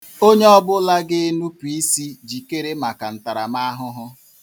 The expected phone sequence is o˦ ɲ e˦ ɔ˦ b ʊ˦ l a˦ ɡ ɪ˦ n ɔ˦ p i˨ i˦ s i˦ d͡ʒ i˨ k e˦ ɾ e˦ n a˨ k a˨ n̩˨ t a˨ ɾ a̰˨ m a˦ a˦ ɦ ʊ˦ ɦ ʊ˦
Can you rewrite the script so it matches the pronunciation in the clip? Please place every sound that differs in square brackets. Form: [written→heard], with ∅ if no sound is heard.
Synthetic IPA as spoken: o˦ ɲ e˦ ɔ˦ b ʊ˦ l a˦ ɡ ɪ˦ n [ɔ˦→u˦] p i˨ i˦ s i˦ d͡ʒ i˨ k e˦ ɾ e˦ [n→m] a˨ k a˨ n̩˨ t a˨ ɾ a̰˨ m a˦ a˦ ɦ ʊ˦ ɦ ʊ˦